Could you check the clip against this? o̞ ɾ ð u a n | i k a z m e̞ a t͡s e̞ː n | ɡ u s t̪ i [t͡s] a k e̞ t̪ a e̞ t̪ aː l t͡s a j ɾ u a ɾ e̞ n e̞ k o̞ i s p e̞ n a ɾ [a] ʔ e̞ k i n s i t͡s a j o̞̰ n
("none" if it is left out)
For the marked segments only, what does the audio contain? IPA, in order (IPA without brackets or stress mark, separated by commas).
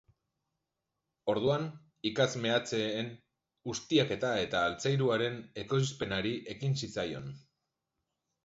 none, i